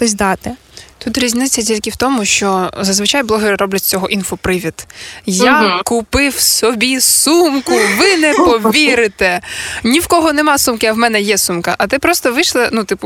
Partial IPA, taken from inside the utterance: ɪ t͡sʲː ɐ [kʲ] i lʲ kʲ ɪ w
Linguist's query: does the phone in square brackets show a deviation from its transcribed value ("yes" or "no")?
yes